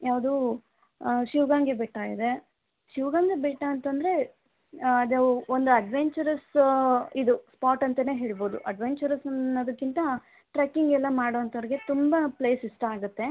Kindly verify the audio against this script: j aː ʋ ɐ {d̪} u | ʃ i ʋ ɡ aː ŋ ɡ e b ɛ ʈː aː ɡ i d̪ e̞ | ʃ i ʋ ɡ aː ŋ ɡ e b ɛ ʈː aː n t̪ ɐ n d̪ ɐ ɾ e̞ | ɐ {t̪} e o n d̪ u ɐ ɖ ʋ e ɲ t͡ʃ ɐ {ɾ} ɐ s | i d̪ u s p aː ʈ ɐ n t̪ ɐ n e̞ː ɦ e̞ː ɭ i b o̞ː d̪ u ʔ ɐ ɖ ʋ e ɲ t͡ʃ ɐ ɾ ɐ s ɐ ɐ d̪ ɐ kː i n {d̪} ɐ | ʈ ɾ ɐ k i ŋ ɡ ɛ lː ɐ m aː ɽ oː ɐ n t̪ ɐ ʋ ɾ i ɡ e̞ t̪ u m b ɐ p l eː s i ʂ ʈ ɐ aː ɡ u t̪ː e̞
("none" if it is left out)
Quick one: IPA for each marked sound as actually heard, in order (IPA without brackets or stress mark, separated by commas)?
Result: d̪, d̪, ɾ, t̪